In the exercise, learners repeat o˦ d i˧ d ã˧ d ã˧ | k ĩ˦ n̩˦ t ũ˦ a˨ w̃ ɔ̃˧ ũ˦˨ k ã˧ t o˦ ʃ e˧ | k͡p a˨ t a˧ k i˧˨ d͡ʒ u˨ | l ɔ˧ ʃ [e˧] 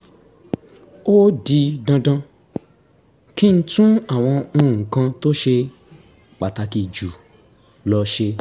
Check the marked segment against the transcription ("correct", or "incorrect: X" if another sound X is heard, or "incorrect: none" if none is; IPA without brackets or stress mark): correct